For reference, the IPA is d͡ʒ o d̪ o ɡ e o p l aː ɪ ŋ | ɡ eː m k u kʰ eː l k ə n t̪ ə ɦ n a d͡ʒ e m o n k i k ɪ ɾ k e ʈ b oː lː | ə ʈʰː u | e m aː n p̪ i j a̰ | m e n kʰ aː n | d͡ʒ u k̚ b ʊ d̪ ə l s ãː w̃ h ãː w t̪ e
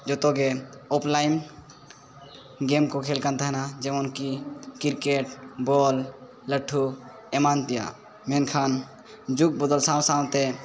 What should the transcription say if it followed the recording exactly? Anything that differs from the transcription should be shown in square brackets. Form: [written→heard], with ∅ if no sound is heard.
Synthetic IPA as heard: d͡ʒ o [d̪→t̪] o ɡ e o p l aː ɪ [ŋ→m] | ɡ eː m k [u→o] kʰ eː l k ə n t̪ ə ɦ n a d͡ʒ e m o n k i k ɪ ɾ k e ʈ b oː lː | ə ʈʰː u | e m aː n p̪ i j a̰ | m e n kʰ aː n | d͡ʒ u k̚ b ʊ d̪ ə l s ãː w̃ [h→s] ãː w t̪ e

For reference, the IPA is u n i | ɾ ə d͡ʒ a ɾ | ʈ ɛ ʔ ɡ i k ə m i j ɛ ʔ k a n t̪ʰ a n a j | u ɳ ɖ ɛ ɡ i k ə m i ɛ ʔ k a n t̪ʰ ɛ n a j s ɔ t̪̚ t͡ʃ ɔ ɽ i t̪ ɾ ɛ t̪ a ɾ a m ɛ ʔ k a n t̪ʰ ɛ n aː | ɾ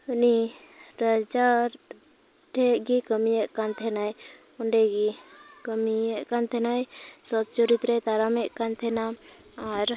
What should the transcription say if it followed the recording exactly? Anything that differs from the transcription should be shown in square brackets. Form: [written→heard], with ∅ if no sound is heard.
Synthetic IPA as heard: u n i | ɾ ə d͡ʒ a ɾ | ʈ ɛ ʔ ɡ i k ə m i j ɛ ʔ k a n t̪ʰ [a→ɛ] n a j | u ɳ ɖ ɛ ɡ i k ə m i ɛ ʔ k a n t̪ʰ ɛ n a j s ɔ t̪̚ t͡ʃ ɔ [ɽ→ɾ] i t̪ ɾ ɛ t̪ a ɾ a m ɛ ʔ k a n t̪ʰ ɛ n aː | ɾ

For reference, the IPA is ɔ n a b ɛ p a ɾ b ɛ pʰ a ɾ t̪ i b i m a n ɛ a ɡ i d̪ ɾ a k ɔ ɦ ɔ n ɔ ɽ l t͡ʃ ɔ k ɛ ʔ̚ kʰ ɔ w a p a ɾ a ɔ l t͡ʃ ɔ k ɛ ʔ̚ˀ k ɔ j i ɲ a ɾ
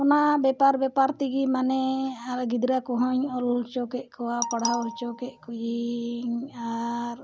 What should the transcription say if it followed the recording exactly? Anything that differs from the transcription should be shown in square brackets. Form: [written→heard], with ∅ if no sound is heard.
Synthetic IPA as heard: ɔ n a b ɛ p a ɾ b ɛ [pʰ→p] a ɾ t̪ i [b→ɡ] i m a n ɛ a ɡ i d̪ ɾ a k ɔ ɦ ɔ [n→ɲ] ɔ [ɽ→l] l t͡ʃ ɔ k ɛ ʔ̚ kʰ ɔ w a p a [ɾ→ɽ] a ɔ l t͡ʃ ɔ k ɛ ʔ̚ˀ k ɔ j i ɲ a ɾ

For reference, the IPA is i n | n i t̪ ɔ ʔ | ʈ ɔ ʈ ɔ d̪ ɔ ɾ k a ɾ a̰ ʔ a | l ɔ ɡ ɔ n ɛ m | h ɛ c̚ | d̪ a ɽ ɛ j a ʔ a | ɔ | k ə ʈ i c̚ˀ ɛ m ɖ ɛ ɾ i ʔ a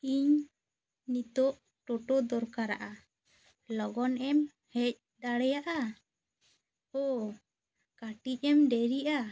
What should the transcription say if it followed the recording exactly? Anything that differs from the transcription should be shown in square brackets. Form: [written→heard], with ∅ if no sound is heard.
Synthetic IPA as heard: i [n→ɲ] | n i t̪ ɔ ʔ | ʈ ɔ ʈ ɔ d̪ ɔ ɾ k a ɾ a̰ ʔ a | l ɔ ɡ ɔ n ɛ m | h ɛ c̚ | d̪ a ɽ ɛ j a ʔ a | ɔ | k [ə→a] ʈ i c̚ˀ ɛ m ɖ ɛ ɾ i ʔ a

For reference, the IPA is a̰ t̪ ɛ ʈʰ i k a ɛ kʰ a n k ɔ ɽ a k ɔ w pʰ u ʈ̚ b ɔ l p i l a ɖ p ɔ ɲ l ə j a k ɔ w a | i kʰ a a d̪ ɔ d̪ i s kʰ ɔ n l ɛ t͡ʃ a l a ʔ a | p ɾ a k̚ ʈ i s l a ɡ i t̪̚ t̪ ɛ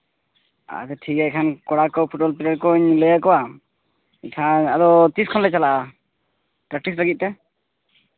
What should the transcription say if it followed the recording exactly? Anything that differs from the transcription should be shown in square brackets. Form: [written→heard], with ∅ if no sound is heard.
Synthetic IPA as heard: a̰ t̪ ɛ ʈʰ i k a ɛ kʰ a n k ɔ ɽ a k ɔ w pʰ u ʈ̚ b ɔ l p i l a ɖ [p→k] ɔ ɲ l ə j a k ɔ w a | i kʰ a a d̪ ɔ [d̪→t̪] i s kʰ ɔ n l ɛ t͡ʃ a l a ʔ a | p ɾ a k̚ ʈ i s l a ɡ i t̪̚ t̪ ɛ

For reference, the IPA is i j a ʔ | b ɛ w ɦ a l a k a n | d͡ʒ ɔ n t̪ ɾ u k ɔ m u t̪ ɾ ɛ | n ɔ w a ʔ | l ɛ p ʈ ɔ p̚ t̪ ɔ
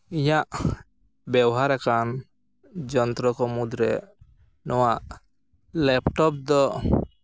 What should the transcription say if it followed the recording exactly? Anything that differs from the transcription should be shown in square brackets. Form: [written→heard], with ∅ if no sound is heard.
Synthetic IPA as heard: i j a ʔ | b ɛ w ɦ a [l→ɾ] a k a n | d͡ʒ ɔ n t̪ ɾ [u→ɔ] k ɔ m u [t̪→d̪] ɾ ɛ | n ɔ w a ʔ | l ɛ p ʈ ɔ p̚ [t̪→d̪] ɔ

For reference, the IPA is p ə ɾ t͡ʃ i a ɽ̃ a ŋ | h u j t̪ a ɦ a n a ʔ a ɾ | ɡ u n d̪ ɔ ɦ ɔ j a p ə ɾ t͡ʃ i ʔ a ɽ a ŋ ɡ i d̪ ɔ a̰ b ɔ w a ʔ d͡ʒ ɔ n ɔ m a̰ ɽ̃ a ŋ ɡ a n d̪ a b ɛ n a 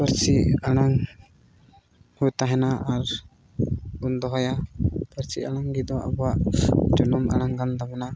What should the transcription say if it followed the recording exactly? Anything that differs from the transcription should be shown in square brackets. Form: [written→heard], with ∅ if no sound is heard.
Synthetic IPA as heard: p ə ɾ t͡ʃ i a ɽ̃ a ŋ | h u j t̪ a ɦ [a→ɛ] n a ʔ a ɾ | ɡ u n d̪ ɔ ɦ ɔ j a p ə ɾ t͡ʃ i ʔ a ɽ a ŋ ɡ i d̪ ɔ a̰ b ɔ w a ʔ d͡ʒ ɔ n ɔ m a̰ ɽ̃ a ŋ ɡ a n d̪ a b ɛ n a

